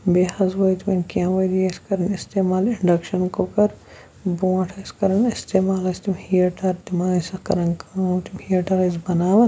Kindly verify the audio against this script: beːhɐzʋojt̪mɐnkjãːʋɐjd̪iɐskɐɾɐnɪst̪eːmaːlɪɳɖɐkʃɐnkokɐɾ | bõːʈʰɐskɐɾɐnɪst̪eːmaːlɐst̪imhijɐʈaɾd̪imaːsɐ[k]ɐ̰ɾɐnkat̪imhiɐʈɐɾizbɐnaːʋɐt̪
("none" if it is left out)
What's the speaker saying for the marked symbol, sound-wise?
k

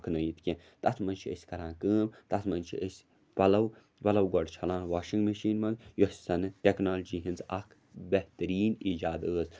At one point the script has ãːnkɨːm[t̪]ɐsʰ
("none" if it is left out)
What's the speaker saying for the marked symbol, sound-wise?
t̪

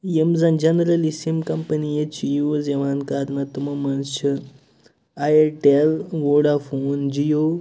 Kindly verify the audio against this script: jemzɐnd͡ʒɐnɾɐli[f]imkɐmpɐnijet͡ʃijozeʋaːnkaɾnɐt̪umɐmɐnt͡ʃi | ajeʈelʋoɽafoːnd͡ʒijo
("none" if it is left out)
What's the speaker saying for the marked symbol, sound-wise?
s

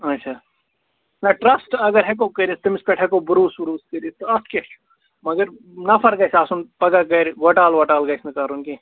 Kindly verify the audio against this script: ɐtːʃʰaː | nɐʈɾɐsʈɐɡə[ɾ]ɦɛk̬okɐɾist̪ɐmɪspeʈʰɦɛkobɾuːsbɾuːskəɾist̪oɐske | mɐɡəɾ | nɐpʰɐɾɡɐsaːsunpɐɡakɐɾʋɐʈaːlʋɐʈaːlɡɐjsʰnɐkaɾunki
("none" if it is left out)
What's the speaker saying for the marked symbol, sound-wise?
ɾ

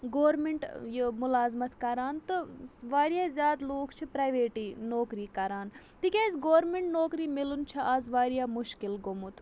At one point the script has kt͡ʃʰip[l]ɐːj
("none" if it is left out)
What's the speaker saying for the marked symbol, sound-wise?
ɾ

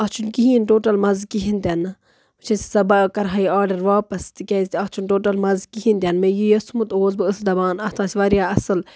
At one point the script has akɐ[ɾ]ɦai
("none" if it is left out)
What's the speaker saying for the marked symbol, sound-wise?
ɾ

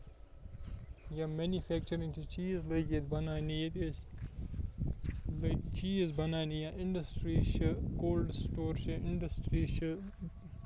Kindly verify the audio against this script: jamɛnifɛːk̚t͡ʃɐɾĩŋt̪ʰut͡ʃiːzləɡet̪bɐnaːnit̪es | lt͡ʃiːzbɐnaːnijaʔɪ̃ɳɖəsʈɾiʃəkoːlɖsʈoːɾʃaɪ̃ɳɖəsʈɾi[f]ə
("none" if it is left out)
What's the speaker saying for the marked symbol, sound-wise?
ʃ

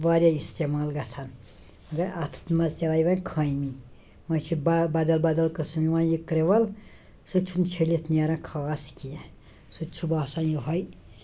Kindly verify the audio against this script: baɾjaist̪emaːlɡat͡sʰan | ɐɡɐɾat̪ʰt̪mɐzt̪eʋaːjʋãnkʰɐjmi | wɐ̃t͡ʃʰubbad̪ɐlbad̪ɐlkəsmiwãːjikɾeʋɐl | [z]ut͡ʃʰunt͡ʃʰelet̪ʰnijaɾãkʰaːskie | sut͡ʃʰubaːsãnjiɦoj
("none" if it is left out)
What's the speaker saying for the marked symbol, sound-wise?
s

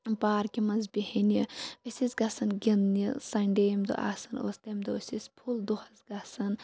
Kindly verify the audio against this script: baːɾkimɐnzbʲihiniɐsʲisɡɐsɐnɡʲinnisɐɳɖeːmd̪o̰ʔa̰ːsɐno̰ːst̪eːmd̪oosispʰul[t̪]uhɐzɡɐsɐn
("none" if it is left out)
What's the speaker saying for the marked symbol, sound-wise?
d̪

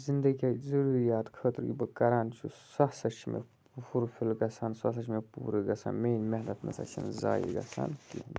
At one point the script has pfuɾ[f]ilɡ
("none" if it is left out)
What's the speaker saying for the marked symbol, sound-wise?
f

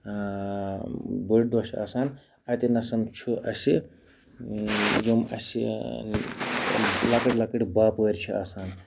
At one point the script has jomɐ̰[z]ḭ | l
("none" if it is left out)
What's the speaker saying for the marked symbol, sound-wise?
s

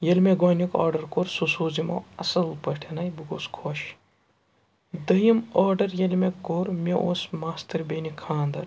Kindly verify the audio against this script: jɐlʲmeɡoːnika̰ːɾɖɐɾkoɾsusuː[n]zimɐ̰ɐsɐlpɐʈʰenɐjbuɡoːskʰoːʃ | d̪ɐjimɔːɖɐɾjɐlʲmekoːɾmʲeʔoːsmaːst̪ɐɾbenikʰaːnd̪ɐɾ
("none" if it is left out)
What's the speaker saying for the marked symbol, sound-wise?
none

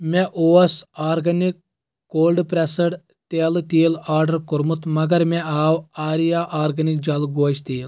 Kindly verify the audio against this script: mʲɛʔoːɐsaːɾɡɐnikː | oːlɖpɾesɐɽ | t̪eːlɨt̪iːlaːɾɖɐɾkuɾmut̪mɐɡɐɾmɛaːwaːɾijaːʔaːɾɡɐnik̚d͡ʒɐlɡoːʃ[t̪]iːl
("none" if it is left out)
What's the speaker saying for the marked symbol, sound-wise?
t̪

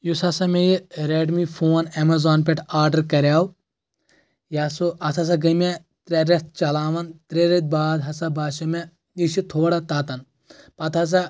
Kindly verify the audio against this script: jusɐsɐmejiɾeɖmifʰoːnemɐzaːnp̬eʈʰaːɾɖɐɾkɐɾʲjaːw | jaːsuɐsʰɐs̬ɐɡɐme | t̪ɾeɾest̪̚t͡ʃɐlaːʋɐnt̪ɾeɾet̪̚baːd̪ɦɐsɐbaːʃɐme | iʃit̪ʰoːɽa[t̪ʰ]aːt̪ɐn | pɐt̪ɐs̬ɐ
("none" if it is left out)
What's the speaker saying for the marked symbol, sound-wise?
t̪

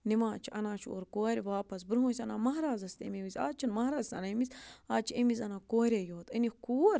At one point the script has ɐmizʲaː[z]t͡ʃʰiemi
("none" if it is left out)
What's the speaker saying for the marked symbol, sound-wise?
none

